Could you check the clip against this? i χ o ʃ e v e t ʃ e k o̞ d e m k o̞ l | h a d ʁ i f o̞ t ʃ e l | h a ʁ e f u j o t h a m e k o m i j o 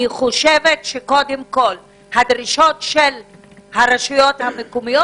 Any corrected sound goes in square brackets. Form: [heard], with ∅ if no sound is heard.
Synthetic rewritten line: i χ o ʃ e v e t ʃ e k o̞ d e m k o̞ l | h a d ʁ i [ʃ] o̞ t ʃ e l | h a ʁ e [ʃ] u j o t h a m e k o m i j o